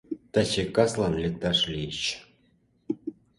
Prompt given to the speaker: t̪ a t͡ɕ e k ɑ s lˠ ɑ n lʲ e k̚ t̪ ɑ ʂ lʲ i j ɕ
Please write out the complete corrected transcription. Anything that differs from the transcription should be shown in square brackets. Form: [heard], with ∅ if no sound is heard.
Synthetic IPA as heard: t̪ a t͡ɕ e k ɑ s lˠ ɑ n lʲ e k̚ t̪ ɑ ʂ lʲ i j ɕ